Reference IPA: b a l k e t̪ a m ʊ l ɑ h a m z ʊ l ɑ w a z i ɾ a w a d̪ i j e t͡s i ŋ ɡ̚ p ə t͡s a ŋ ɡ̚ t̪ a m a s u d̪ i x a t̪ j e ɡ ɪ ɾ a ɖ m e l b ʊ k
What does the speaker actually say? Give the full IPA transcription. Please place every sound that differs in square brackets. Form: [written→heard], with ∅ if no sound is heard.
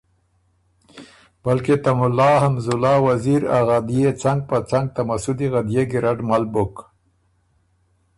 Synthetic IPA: b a l k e t̪ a m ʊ l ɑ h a m z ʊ l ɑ w a z i ɾ a [w→ɣ] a d̪ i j e t͡s [i→a] ŋ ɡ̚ p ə t͡s a ŋ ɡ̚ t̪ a m a s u d̪ i [x→ɣ] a [t̪→d̪] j e ɡ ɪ ɾ a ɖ m [e→a] l b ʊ k